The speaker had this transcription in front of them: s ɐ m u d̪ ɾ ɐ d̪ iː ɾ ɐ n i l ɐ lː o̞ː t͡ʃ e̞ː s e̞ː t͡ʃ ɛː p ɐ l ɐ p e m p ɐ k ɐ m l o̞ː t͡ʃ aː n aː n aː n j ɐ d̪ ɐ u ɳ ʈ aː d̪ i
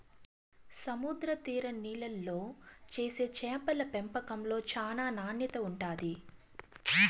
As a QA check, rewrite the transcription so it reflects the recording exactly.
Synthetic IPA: s ɐ m u d̪ ɾ ɐ t̪ iː ɾ ɐ n iː l ɐ lː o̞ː t͡ʃ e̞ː s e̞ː t͡ʃ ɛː p ɐ l ɐ p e m p ɐ k ɐ m l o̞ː t͡ʃ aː n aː n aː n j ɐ t̪ ɐ u ɳ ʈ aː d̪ i